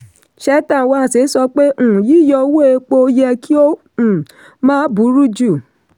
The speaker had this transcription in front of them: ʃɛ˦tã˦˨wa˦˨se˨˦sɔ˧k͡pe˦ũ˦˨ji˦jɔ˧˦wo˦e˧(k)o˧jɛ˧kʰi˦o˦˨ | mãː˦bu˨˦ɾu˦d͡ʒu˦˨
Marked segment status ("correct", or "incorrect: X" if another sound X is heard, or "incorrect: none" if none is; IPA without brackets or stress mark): incorrect: k͡p